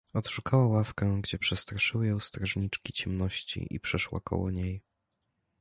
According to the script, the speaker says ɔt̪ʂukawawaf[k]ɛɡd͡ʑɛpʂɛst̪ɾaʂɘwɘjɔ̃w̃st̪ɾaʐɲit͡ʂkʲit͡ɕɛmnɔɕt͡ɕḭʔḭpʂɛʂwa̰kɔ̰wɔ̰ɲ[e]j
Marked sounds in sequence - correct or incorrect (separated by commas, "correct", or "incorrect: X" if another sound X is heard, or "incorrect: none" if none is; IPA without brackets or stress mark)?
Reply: correct, correct